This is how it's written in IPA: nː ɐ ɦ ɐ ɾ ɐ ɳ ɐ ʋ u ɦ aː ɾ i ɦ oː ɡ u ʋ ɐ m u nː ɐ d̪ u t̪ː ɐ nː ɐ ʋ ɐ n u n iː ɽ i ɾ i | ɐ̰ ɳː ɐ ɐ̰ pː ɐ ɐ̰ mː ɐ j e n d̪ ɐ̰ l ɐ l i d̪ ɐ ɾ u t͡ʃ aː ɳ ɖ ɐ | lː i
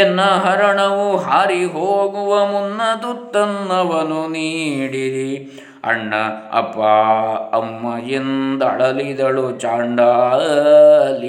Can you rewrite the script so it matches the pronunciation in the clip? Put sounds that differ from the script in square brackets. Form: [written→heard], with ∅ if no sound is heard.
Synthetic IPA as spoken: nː ɐ ɦ ɐ ɾ ɐ ɳ ɐ ʋ u ɦ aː ɾ i ɦ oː ɡ u ʋ ɐ m u nː ɐ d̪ u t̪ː ɐ nː ɐ ʋ ɐ n u n iː ɽ i ɾ i | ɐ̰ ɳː ɐ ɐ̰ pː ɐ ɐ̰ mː ɐ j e n d̪ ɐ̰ [l→ɭ] ɐ l i d̪ ɐ [ɾ→ɭ] u t͡ʃ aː ɳ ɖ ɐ | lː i